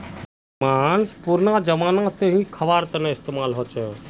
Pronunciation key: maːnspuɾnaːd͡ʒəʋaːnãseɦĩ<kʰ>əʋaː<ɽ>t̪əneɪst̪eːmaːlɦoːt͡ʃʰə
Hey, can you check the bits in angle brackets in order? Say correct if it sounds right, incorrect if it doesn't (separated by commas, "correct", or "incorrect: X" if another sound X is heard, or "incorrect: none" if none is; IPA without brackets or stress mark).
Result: correct, incorrect: ɾ